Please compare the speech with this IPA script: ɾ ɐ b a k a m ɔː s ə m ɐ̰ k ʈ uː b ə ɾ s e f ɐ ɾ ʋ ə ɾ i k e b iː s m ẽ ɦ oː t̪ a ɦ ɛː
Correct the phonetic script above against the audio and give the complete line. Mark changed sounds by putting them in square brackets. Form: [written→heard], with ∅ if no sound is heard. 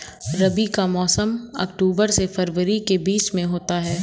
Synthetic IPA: ɾ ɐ b [a→i] k a m ɔː s ə m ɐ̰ k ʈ uː b ə ɾ s e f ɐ ɾ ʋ ə ɾ i k e b iː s m ẽ ɦ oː t̪ a ɦ ɛː